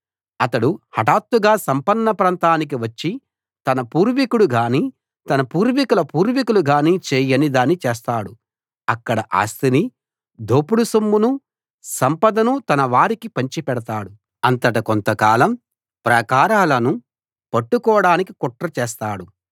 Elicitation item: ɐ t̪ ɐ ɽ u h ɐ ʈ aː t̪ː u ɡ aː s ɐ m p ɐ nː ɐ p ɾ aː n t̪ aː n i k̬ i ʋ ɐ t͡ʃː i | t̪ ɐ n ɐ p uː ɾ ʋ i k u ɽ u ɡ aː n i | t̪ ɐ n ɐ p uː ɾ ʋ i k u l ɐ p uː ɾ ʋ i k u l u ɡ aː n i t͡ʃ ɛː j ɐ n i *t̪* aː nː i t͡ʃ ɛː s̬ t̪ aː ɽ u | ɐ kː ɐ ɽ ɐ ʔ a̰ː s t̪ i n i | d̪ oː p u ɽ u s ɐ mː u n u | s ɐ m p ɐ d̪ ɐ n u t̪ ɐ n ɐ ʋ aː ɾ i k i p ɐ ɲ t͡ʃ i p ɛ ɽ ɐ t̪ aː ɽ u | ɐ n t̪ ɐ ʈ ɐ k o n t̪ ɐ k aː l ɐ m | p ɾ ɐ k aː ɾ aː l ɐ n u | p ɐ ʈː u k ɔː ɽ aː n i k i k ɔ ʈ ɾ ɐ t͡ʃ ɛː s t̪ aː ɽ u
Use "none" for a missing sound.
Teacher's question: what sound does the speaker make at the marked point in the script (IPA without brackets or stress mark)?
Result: d̪